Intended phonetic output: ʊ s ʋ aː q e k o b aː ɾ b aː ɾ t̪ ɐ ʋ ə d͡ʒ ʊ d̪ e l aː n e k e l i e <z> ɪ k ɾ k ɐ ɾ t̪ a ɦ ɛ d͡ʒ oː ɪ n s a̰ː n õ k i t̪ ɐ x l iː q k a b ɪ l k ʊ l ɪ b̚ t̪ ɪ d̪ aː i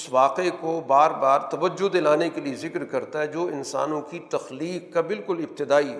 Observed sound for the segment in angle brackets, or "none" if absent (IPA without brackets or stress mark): z